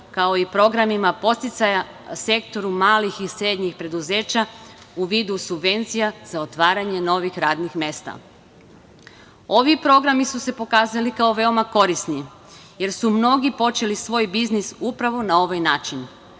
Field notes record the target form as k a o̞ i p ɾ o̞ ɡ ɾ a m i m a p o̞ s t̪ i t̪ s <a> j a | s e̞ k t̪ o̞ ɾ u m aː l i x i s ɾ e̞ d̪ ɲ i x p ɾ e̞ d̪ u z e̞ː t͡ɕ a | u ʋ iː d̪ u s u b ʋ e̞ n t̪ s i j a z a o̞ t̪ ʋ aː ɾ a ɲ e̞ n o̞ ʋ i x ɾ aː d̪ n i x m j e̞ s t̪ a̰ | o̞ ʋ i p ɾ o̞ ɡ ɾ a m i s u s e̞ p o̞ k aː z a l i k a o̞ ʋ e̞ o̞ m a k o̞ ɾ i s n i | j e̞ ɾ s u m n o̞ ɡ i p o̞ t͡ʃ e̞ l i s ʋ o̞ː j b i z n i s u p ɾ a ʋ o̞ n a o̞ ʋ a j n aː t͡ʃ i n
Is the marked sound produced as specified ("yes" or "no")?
yes